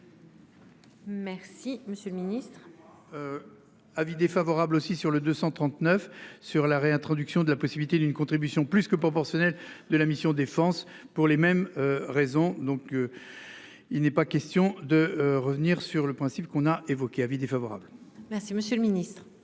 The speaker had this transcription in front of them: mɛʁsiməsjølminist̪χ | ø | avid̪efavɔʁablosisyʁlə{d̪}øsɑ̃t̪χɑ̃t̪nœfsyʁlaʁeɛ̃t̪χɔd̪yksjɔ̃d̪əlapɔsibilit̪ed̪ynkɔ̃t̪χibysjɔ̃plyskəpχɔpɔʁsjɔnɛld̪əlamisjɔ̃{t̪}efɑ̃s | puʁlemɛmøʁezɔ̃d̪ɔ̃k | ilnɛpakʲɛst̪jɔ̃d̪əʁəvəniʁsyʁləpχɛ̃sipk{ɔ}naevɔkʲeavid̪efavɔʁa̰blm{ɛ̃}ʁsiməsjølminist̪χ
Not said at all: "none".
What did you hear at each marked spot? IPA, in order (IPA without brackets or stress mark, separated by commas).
d̪, d̪, ɔ̃, ɛ